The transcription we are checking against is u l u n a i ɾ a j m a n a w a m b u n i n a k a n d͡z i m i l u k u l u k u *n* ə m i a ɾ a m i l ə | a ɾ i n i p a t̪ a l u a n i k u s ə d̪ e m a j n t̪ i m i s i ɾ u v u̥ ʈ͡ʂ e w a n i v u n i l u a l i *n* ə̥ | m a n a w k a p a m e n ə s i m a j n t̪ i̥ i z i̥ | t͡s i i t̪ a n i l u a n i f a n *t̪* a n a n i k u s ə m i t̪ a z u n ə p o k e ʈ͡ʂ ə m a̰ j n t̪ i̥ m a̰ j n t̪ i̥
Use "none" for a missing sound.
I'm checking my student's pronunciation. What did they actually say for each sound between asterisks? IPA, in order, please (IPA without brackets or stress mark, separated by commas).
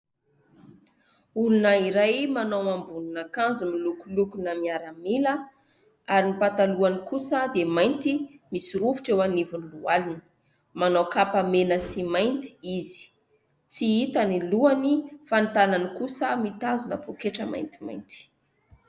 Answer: n, n, t̪